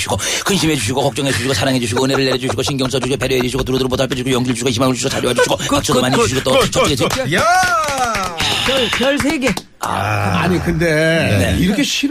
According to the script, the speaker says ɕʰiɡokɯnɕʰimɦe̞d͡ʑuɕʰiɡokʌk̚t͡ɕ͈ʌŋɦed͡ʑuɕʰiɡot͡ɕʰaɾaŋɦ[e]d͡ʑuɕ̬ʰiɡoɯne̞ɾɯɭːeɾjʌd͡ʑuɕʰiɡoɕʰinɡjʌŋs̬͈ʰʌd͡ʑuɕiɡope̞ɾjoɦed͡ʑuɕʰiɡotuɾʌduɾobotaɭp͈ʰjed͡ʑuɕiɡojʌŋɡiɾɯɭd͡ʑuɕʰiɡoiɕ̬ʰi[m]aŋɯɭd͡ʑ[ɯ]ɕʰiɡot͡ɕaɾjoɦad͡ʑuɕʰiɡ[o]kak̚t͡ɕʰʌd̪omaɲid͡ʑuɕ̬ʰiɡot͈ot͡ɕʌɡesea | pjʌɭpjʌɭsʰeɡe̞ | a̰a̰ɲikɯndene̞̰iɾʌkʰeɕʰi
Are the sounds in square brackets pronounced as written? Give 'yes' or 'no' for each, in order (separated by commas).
yes, yes, no, yes